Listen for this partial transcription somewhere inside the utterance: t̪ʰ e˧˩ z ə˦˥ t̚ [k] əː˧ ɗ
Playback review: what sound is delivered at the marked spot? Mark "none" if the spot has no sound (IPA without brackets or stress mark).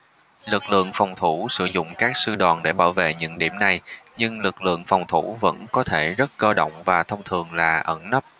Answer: k